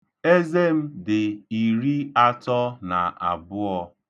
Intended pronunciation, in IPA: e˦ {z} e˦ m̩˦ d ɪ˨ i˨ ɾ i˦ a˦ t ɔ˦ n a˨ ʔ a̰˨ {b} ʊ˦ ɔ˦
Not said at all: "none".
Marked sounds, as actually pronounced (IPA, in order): z, b

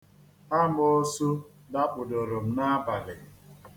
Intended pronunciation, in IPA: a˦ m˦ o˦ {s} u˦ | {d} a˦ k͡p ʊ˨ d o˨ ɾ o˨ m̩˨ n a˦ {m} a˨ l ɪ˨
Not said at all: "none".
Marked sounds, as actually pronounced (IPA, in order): s, d, b

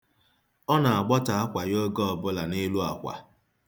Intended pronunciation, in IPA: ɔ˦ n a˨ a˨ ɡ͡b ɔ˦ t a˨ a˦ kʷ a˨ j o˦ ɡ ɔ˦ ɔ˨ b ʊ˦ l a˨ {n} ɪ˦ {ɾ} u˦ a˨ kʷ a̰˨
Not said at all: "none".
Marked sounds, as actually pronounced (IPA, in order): n, l

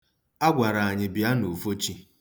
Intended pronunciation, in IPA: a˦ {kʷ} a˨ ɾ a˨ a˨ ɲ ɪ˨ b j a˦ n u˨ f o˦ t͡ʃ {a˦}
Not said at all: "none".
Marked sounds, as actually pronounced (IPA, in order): ɡʷ, i˦

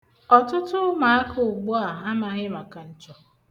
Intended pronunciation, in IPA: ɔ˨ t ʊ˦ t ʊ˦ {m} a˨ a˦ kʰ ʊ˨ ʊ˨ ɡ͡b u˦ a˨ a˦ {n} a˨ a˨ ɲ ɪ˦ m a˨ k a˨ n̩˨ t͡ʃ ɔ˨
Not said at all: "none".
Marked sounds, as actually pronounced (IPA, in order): m, m

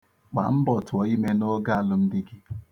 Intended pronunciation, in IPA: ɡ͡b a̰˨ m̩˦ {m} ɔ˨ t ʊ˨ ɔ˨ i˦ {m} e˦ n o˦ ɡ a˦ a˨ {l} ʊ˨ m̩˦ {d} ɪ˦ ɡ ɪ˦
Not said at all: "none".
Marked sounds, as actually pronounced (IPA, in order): b, m, l, d

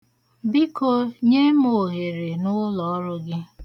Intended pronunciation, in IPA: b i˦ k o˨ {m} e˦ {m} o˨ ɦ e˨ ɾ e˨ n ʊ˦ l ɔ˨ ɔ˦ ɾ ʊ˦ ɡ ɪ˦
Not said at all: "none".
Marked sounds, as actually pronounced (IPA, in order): ɲ, m

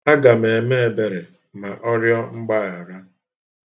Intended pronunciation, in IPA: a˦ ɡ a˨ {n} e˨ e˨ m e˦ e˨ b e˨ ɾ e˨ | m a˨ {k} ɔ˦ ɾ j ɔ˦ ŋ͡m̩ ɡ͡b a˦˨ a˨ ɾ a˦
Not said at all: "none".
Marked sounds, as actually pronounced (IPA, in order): m, ʔ

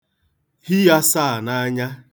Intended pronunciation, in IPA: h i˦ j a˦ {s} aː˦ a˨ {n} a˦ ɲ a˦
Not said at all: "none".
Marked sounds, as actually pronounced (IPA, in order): s, n

